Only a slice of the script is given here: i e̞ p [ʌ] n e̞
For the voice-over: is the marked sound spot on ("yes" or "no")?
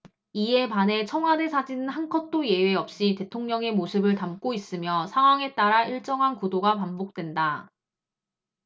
no